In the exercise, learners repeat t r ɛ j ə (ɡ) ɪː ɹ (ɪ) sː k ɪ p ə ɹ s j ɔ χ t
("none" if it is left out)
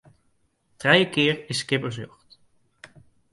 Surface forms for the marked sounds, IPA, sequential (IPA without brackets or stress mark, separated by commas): k, ɪ